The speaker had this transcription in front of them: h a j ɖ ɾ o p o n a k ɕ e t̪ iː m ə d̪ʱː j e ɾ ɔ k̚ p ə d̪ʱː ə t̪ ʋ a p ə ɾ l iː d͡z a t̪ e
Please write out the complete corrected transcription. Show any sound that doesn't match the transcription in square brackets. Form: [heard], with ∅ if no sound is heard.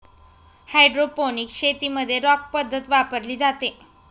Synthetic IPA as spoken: h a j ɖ ɾ o p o n [i] k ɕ e t̪ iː m ə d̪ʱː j e ɾ ɔ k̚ p ə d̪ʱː ə t̪ ʋ a p ə ɾ l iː d͡z a t̪ e